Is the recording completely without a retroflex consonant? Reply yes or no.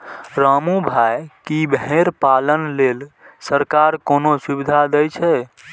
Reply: yes